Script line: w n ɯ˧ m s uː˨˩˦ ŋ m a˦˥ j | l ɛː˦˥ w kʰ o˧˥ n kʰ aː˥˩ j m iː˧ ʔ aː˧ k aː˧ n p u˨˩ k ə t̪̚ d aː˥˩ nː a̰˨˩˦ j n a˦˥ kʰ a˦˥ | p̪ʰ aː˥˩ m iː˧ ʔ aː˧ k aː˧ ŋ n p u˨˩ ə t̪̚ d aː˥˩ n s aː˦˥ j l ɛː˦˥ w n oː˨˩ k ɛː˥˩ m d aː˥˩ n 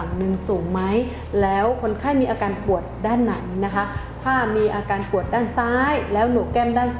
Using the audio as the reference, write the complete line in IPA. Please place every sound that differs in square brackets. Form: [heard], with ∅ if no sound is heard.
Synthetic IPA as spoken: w n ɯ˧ [ŋ] s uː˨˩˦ ŋ m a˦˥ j | l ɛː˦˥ w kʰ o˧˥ n kʰ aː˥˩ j m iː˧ ʔ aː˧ k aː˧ n p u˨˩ [∅] ə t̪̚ d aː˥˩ nː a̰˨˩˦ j n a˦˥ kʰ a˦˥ | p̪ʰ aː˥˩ m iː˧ ʔ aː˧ k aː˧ [∅] n p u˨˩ ə t̪̚ d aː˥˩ n s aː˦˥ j l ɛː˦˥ w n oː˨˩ k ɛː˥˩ m d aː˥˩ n

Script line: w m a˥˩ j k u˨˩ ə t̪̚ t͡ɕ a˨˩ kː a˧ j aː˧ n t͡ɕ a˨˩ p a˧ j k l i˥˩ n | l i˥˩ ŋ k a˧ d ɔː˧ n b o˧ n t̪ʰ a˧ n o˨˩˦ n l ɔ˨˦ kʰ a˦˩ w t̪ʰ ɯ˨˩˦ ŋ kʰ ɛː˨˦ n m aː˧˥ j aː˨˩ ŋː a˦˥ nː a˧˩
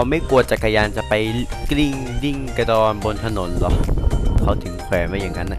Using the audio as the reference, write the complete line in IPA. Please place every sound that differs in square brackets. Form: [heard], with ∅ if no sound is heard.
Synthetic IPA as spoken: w m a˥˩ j k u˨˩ ə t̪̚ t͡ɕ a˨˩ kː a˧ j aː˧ n t͡ɕ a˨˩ p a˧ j k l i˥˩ [ŋ] | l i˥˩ ŋ k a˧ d ɔː˧ n b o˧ n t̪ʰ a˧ n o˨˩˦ n l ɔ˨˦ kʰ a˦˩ w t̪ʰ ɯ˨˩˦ ŋ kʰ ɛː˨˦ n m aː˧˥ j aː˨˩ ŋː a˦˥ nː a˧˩

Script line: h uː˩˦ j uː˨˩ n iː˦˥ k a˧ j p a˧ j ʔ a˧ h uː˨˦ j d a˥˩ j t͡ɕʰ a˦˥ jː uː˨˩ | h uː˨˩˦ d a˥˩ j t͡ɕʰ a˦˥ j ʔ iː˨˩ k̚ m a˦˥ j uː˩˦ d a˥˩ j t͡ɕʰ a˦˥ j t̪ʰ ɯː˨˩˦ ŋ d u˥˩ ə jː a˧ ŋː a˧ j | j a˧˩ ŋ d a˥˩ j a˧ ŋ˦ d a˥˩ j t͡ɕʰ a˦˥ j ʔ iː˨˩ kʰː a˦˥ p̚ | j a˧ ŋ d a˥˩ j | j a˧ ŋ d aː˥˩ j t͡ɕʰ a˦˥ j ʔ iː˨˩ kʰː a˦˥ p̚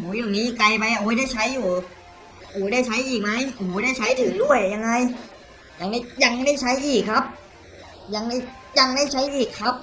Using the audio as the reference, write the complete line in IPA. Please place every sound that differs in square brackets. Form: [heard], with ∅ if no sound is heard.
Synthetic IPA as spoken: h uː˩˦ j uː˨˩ n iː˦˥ k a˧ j p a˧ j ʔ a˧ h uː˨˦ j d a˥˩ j t͡ɕʰ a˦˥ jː uː˨˩ | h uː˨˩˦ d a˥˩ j t͡ɕʰ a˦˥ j ʔ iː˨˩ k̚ m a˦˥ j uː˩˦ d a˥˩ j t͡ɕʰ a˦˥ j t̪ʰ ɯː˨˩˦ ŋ d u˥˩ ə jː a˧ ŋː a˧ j | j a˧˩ ŋ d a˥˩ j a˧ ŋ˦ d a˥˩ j t͡ɕʰ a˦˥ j ʔ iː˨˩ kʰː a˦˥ p̚ | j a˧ ŋ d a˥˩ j | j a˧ ŋ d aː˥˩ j t͡ɕʰ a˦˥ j ʔ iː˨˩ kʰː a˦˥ p̚

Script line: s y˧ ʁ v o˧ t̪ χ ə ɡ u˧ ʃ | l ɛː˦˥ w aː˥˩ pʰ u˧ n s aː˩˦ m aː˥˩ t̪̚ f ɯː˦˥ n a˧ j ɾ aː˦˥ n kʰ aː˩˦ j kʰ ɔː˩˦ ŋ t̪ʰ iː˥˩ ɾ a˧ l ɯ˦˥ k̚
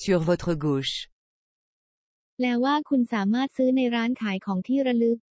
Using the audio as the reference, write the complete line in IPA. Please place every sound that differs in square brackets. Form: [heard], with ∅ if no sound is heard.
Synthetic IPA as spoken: s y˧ ʁ v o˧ t̪ χ ə ɡ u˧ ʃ | l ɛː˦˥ w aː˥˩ [kʰ] u˧ n s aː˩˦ m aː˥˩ t̪̚ [s] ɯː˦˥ n a˧ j ɾ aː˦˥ n kʰ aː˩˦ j kʰ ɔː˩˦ ŋ t̪ʰ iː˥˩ ɾ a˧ l ɯ˦˥ k̚

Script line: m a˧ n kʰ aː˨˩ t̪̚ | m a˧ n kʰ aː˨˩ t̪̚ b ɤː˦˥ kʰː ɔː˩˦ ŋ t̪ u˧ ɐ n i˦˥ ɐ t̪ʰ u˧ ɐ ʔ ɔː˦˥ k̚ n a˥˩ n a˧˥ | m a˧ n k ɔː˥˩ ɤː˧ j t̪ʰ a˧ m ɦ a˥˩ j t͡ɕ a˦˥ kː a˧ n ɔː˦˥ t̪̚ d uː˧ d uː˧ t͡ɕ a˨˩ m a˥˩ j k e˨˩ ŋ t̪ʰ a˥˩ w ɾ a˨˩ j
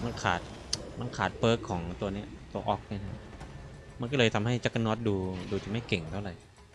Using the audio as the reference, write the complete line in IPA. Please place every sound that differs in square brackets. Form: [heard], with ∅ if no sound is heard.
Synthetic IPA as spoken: m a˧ n kʰ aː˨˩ t̪̚ | m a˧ n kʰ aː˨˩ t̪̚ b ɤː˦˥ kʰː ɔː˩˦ ŋ t̪ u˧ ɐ n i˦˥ ɐ [t̪] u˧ ɐ ʔ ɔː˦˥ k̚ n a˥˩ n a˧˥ | m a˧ n k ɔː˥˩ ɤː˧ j t̪ʰ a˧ m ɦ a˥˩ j t͡ɕ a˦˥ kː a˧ n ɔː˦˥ t̪̚ d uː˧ d uː˧ t͡ɕ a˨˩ m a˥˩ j k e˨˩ ŋ t̪ʰ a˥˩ w ɾ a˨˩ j

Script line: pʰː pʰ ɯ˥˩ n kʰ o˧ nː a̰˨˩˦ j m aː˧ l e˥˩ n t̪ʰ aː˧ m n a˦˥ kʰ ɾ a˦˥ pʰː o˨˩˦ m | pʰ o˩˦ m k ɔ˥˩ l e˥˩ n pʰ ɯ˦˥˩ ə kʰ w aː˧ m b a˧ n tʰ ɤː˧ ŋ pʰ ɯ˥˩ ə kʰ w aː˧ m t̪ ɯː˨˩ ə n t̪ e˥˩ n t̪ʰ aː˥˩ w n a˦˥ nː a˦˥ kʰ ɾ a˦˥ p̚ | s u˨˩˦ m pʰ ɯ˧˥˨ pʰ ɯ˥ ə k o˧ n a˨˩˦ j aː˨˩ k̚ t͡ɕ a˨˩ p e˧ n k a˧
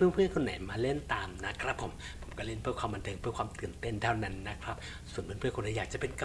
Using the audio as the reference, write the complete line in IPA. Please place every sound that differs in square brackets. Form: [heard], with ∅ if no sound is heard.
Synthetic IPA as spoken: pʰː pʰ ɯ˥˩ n kʰ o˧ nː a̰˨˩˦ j m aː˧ l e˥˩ n [t̪] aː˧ m n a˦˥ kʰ ɾ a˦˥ pʰː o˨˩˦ m | pʰ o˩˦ m k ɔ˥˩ l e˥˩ n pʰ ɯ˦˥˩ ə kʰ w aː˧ m b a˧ n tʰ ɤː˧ ŋ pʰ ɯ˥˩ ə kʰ w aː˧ m t̪ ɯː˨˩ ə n t̪ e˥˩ n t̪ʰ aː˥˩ w n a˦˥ nː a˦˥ kʰ ɾ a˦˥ p̚ | s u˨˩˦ [n] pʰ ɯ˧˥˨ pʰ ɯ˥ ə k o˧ n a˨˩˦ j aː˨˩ k̚ t͡ɕ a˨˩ p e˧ n k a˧

